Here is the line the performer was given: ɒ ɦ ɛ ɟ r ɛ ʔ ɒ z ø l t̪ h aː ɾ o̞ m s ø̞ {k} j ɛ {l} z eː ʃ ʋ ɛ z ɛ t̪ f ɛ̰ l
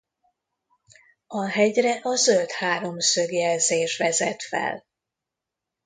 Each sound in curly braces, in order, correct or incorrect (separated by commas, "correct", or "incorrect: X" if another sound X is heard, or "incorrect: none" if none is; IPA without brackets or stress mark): incorrect: ɡ, correct